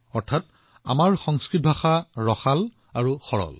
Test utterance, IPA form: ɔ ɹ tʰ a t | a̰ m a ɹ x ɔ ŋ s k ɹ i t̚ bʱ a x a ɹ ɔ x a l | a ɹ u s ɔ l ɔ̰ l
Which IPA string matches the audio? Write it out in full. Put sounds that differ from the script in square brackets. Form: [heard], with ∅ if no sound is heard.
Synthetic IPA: ɔ ɹ tʰ a t | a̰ m a ɹ x ɔ ŋ s k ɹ i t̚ bʱ a x a ɹ ɔ x a l | a ɹ u [x] ɔ [ɹ] ɔ̰ l